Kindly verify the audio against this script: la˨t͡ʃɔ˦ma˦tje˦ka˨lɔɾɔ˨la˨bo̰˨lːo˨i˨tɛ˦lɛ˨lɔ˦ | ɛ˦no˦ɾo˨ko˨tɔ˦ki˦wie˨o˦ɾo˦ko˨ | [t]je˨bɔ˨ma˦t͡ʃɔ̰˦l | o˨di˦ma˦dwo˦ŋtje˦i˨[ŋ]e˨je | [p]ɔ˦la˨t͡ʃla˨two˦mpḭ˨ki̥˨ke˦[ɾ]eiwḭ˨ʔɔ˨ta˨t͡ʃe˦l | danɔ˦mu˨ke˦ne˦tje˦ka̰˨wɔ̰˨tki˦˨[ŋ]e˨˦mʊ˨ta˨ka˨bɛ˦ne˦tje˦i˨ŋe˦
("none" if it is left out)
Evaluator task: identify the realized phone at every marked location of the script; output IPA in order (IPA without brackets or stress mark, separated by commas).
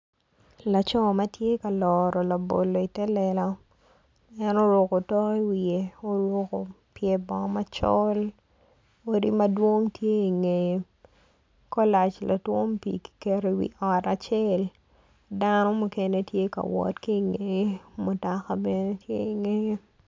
p, ŋ, k, ɾ, ŋ